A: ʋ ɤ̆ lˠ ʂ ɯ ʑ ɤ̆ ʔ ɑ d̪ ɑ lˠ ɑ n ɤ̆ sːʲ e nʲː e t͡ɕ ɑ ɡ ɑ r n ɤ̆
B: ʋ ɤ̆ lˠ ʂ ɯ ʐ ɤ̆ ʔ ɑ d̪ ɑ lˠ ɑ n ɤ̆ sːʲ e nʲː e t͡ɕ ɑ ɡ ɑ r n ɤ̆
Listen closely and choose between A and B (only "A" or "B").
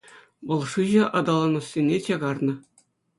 A